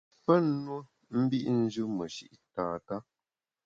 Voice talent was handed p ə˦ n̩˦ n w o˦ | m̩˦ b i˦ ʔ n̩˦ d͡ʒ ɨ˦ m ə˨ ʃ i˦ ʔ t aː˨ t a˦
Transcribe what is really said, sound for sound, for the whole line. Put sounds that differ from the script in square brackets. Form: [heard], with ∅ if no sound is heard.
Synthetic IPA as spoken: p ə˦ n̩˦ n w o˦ | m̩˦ b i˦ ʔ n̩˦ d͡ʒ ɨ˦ m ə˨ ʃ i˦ ʔ t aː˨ t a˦